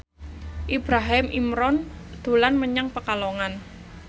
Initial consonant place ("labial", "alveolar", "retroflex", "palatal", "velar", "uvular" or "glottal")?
glottal